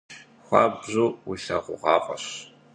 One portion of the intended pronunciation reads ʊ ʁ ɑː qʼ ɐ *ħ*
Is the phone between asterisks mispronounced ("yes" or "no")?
yes